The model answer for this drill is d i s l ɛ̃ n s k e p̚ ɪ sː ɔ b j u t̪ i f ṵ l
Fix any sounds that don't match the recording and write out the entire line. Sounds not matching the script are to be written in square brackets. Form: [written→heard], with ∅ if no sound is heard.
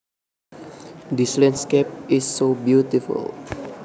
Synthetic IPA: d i s l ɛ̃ n s k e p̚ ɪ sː [ɔ→o] b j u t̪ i f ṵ l